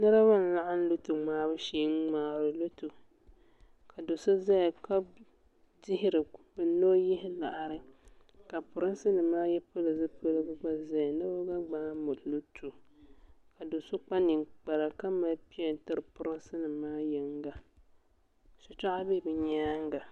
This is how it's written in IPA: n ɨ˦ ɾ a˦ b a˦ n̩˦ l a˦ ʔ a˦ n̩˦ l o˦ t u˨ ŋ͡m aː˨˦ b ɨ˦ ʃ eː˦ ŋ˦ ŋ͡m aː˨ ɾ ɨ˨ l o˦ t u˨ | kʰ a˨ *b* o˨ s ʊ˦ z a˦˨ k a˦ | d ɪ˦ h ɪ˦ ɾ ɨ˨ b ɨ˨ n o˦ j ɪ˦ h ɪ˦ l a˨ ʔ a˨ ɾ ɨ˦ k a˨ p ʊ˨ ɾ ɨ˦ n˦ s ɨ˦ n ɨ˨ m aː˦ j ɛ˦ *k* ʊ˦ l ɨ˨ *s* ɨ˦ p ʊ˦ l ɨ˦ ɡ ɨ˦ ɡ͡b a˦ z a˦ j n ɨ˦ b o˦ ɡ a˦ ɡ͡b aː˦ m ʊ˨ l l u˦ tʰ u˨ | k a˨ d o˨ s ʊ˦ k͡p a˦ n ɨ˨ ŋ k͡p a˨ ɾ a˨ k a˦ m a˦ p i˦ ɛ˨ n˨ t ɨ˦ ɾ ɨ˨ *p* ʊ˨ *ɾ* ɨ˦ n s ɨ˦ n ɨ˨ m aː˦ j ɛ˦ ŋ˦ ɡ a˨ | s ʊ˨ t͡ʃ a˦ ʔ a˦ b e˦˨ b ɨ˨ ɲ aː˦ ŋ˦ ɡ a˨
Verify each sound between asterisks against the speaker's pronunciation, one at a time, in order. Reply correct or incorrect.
incorrect, incorrect, incorrect, correct, correct

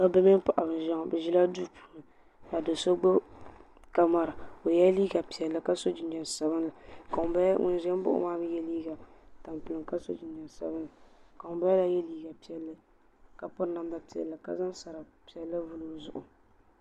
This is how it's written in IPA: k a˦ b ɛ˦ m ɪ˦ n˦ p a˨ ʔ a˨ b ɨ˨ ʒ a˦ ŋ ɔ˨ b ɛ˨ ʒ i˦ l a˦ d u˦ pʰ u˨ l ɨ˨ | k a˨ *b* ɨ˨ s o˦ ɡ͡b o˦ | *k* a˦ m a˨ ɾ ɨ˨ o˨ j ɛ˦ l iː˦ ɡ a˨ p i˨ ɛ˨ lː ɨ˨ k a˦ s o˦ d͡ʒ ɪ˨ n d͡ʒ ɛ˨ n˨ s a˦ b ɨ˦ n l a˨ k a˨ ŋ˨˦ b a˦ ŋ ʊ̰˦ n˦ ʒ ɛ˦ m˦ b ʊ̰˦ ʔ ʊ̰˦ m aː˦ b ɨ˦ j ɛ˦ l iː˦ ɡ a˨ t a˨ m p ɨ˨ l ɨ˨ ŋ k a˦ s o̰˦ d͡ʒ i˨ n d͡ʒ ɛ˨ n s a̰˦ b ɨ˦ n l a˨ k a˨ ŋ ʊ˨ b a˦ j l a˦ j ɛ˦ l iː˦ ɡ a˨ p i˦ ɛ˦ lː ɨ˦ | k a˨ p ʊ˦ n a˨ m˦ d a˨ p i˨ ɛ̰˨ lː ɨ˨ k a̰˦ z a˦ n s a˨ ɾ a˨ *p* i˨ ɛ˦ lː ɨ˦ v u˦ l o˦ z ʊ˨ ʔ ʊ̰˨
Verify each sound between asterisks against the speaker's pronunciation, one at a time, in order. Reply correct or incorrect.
incorrect, correct, correct

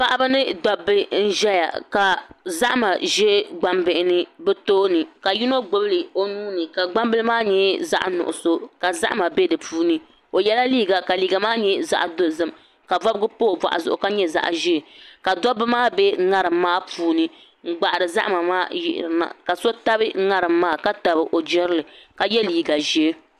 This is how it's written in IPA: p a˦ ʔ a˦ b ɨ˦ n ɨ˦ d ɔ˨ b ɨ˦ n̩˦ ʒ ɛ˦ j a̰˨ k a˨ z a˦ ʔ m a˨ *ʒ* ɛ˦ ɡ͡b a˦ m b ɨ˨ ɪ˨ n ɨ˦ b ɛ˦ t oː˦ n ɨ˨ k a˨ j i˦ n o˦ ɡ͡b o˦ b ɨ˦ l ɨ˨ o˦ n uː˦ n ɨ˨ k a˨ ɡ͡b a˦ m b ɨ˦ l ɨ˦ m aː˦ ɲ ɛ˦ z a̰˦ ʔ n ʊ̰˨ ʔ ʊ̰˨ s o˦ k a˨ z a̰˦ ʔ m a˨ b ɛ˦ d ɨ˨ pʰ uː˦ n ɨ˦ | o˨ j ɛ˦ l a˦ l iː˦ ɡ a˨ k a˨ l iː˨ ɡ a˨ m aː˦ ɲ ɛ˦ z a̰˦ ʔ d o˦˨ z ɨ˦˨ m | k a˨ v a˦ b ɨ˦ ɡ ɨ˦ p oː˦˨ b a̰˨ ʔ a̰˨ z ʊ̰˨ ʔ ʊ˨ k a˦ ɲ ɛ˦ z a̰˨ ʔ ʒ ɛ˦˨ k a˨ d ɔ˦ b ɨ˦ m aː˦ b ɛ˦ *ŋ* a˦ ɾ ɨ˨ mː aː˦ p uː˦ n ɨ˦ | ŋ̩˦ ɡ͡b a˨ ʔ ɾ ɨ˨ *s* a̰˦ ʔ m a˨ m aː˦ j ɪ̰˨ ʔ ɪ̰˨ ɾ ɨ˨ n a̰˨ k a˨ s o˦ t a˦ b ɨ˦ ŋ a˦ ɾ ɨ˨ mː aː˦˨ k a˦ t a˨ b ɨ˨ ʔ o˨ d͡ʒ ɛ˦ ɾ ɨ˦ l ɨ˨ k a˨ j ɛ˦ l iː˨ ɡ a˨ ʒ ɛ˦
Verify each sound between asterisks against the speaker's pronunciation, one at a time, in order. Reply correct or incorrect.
correct, correct, incorrect

